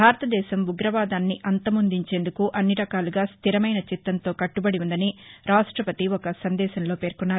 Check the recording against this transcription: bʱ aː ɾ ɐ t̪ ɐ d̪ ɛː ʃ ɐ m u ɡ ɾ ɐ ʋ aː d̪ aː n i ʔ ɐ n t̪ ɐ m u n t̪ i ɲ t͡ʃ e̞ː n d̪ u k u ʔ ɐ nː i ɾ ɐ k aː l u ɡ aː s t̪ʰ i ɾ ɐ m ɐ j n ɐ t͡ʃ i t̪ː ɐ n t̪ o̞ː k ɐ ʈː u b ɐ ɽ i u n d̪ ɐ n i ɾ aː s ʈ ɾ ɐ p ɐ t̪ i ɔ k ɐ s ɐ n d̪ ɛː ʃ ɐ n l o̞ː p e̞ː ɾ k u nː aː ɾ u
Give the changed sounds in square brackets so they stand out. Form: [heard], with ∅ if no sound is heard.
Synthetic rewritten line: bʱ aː ɾ ɐ t̪ ɐ d̪ ɛː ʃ ɐ m u ɡ ɾ ɐ ʋ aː d̪ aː [nː] i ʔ ɐ n t̪ ɐ m u n [d̪] i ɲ t͡ʃ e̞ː n d̪ u k u ʔ ɐ nː i ɾ ɐ k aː l u ɡ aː s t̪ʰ i ɾ ɐ m ɐ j n ɐ t͡ʃ i t̪ː ɐ n t̪ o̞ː k ɐ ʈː u b ɐ ɽ i u n d̪ ɐ n i ɾ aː [ʂ] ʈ ɾ ɐ p ɐ t̪ i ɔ k ɐ s ɐ n d̪ ɛː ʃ ɐ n l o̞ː p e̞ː ɾ k u nː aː ɾ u